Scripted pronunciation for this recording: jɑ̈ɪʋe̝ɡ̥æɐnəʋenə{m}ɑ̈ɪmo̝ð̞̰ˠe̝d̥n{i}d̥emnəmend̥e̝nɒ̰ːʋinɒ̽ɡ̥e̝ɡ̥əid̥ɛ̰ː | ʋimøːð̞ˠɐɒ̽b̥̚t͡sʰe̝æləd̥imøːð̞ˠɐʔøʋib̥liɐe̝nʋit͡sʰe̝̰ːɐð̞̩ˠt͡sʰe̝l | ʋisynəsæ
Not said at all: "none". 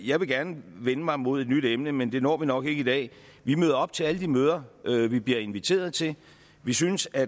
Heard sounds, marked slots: m, y

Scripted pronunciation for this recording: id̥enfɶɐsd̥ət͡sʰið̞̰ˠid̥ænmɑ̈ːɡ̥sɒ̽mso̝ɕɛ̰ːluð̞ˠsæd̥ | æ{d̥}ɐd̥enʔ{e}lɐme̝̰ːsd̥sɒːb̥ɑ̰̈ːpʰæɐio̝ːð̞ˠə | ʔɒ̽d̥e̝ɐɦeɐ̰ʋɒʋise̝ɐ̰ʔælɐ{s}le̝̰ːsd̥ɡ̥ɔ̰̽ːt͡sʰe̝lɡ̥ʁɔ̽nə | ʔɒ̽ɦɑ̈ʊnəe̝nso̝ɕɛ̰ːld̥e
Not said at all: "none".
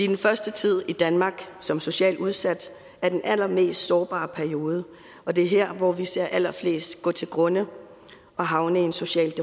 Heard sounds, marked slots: none, æ, f

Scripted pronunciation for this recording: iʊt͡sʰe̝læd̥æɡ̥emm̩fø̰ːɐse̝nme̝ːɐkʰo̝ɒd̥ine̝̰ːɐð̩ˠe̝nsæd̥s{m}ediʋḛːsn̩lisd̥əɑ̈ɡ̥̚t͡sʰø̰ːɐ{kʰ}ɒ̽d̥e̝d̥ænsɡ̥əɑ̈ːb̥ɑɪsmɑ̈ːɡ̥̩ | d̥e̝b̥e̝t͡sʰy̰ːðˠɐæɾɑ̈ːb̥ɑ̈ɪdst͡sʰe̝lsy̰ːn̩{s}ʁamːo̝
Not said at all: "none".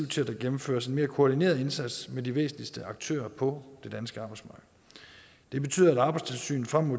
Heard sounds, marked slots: m, pʰ, f

